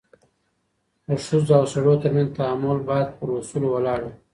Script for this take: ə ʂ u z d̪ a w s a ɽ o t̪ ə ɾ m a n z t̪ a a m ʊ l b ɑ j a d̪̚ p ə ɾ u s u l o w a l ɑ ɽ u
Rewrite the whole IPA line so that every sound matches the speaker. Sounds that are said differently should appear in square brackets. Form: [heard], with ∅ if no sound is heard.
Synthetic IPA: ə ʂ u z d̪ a w s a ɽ o t̪ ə ɾ m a n z t̪ a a m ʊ l b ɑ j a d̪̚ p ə ɾ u s u l o w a l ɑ ɽ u